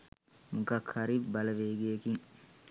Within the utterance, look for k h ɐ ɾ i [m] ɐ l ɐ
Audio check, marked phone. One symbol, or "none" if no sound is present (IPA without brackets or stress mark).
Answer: b